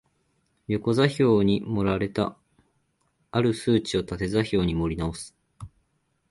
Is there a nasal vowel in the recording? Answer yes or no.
no